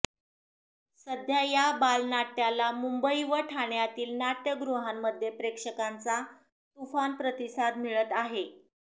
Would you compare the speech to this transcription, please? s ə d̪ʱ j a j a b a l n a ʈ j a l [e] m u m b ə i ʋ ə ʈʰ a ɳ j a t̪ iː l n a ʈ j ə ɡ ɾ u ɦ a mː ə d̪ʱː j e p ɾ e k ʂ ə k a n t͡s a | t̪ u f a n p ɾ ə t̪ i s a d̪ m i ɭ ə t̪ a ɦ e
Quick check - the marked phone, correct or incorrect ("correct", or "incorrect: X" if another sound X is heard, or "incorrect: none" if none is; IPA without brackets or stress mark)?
incorrect: a